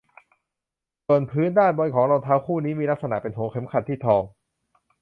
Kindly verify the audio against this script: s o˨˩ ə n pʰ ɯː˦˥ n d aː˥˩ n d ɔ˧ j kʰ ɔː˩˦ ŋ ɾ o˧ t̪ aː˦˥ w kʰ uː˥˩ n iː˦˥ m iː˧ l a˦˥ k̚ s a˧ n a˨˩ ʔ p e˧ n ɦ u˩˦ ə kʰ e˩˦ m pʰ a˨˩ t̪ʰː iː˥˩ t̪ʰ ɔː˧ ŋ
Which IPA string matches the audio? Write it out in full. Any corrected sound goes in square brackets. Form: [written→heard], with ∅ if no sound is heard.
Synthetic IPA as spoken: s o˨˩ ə n pʰ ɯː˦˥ n d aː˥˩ n [d→b] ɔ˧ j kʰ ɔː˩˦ ŋ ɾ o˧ [t̪→t̪ʰ] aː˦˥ w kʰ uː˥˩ n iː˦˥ m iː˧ l a˦˥ k̚ s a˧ n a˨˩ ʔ p e˧ n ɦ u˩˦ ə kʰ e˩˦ m [pʰ→kʰ] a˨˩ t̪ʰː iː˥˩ t̪ʰ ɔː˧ ŋ